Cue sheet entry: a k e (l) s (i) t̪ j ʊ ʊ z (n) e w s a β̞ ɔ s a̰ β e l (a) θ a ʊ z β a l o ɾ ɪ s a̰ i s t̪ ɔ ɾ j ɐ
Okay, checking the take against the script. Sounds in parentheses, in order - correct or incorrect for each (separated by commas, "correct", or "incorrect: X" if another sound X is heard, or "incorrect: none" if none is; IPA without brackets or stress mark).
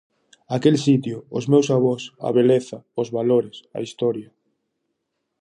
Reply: correct, correct, incorrect: m, incorrect: e